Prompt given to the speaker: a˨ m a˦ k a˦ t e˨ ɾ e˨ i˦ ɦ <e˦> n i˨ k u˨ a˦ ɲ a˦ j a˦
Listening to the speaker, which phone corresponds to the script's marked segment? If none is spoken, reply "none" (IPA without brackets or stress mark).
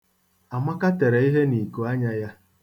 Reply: e˦